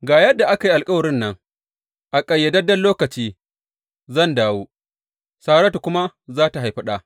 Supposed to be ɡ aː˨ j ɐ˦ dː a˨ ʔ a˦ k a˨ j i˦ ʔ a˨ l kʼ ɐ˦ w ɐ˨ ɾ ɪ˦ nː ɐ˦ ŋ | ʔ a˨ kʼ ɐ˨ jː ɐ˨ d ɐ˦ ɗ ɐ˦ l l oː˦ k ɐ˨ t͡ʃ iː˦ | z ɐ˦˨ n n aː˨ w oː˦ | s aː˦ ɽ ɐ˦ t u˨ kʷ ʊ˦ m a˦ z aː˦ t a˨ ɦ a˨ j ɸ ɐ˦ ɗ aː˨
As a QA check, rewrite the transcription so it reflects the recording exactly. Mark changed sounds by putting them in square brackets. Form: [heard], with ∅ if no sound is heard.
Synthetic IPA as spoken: ɡ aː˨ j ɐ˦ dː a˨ ʔ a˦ k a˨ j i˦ ʔ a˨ l kʼ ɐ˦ w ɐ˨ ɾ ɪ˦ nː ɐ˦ ŋ | ʔ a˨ kʼ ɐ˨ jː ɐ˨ d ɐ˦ [d] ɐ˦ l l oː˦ k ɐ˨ t͡ʃ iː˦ | z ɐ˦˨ n [d] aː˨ w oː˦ | s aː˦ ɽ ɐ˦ t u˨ kʷ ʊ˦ m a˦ z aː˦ t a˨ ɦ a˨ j ɸ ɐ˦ ɗ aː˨